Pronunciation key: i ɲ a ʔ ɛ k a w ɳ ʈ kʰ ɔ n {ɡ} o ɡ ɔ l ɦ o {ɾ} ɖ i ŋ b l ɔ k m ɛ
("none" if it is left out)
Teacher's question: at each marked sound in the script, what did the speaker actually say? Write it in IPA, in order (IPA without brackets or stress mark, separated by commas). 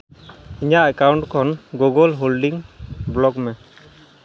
ɡ, l